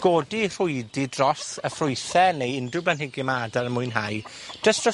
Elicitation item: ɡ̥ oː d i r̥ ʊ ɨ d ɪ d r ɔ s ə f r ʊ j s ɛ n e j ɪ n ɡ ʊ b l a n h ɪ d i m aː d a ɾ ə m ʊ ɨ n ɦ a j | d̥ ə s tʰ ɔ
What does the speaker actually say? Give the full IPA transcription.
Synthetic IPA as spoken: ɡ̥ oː d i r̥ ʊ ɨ d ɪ d r ɔ s ə f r ʊ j θ ɛ n e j ɪ n d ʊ b l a n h ɪ ɡ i m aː d a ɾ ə m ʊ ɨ n ɦ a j | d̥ ə s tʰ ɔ